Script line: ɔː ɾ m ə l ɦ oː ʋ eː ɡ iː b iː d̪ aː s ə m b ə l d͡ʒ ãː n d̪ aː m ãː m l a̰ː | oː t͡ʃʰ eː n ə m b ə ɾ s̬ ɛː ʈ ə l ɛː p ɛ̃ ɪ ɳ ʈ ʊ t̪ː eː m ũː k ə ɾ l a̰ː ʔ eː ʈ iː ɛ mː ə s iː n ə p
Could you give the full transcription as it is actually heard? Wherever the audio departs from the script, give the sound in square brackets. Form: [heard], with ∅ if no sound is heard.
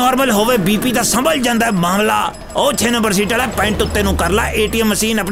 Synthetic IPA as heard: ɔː ɾ m ə l ɦ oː ʋ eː [b] iː [p] iː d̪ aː s ə m b ə l d͡ʒ ãː n d̪ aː m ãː m l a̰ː | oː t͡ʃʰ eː n ə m b ə ɾ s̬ [iː] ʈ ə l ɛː p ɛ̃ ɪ ɳ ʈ ʊ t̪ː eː [n] ũː k ə ɾ l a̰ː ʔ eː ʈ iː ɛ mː ə s iː n ə p